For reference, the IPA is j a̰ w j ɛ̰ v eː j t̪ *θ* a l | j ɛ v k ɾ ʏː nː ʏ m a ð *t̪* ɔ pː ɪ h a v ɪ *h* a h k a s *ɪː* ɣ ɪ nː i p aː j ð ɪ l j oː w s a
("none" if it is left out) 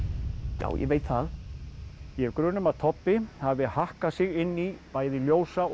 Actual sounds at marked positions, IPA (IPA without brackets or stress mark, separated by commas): θ, t̪ʰ, h, ɪ